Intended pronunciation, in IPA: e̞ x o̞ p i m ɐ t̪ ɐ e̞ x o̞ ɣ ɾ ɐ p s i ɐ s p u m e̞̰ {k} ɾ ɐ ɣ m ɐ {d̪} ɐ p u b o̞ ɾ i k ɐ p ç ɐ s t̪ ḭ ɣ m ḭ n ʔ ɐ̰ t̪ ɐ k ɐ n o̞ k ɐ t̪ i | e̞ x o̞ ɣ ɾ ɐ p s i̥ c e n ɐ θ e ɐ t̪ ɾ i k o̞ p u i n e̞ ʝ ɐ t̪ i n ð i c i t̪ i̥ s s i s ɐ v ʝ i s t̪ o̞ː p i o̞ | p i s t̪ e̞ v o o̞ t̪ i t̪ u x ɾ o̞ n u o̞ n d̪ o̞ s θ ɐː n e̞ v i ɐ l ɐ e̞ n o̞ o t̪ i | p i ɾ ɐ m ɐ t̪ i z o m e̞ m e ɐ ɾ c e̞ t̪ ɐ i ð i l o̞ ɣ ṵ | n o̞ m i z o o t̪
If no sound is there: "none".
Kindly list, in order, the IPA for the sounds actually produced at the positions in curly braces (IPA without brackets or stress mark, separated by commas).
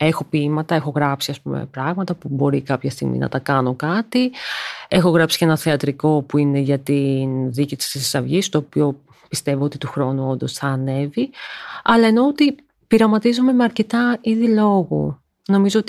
p, t̪